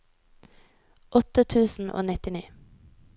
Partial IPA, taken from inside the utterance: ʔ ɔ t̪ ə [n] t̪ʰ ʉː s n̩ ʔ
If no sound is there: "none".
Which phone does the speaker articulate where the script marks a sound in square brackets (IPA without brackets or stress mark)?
none